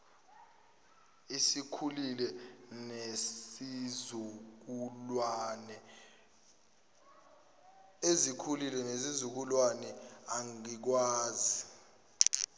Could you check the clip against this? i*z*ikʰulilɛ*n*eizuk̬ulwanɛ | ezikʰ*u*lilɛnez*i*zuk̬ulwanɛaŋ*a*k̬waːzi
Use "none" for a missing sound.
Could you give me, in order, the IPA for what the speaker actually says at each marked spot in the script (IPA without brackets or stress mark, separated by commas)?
s, n, u, i, i